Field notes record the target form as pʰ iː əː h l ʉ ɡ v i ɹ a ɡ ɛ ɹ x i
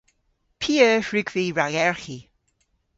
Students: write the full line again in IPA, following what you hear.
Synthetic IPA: pʰ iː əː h ɹ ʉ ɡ v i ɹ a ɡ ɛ ɹ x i